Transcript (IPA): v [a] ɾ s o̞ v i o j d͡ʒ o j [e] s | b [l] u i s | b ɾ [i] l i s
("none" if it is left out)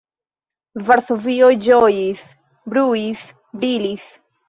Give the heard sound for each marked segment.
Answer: a, i, ɾ, i

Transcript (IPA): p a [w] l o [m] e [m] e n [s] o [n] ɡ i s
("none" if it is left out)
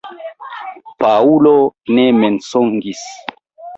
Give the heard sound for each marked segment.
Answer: u, n, m, s, ŋ

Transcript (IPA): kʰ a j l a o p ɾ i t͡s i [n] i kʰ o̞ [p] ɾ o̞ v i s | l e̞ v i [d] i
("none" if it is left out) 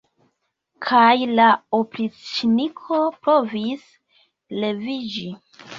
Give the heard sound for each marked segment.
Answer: n, p, d͡ʒ

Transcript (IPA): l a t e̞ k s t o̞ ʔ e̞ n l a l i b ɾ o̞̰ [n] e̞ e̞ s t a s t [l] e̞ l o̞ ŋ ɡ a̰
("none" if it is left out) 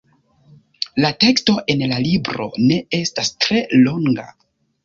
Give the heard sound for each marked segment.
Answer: n, ɾ

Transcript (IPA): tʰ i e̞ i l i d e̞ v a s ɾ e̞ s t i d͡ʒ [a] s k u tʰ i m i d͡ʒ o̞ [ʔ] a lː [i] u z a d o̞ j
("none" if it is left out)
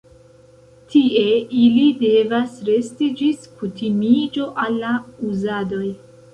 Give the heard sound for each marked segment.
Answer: i, ʔ, a

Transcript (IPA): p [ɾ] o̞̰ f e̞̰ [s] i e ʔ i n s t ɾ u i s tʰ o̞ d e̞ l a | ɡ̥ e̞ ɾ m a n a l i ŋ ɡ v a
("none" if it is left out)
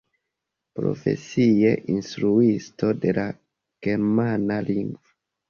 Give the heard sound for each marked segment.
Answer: ɾ, s

